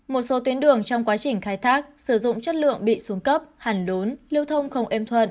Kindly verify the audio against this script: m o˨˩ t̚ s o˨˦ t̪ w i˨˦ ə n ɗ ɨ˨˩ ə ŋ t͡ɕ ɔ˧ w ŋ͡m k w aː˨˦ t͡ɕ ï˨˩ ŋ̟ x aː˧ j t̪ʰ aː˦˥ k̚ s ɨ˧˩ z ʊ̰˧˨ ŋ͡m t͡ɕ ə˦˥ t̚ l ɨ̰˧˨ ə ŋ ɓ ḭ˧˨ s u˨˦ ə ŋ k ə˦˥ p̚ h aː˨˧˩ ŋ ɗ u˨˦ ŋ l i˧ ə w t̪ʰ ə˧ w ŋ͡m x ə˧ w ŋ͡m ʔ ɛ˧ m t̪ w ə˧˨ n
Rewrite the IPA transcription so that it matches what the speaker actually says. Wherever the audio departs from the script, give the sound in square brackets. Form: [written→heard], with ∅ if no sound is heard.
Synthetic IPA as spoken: m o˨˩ t̚ s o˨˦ t̪ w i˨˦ ə n ɗ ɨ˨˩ ə ŋ t͡ɕ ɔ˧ w ŋ͡m k w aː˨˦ t͡ɕ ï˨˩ ŋ̟ x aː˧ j t̪ʰ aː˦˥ k̚ s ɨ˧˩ z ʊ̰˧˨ ŋ͡m t͡ɕ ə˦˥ t̚ l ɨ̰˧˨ ə ŋ ɓ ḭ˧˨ s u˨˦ ə ŋ k ə˦˥ p̚ h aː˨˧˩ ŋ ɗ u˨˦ [ŋ→n] l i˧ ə w t̪ʰ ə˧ w ŋ͡m x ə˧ w ŋ͡m ʔ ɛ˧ m [t̪→t̪ʰ] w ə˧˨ n